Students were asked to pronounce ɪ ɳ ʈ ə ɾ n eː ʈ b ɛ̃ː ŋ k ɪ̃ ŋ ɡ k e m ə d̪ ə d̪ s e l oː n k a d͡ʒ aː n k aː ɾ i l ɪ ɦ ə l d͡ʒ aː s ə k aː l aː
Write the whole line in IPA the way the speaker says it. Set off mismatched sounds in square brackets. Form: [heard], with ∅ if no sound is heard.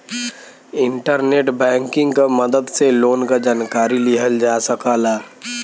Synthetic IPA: ɪ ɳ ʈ ə ɾ n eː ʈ b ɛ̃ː ŋ k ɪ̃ ŋ ɡ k [a] m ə d̪ ə d̪ s e l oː n k a d͡ʒ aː n k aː ɾ i l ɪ ɦ ə l d͡ʒ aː s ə k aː l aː